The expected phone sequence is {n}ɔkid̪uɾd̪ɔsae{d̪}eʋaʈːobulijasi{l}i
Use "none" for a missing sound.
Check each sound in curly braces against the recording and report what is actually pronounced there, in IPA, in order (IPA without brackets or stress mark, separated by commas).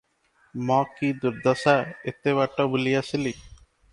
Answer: m, t̪, l